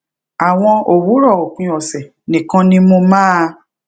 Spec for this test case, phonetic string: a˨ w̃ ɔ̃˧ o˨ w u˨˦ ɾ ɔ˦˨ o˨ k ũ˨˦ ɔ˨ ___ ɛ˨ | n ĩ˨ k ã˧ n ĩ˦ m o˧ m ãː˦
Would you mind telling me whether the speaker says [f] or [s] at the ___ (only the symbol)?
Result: s